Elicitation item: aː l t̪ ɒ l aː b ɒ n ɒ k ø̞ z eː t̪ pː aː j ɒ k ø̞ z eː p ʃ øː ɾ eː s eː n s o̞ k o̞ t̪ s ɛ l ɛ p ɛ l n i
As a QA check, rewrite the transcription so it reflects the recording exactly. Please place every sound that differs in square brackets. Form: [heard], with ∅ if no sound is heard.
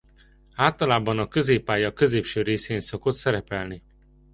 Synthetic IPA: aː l t̪ ɒ l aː b ɒ n ɒ k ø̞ z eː [∅] pː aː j ɒ k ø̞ z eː p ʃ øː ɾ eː s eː n s o̞ k o̞ t̪ s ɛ [ɾ] ɛ p ɛ l n i